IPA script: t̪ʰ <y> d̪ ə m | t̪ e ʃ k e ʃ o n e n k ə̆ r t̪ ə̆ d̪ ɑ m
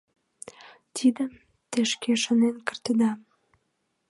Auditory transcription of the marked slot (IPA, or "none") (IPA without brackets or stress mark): i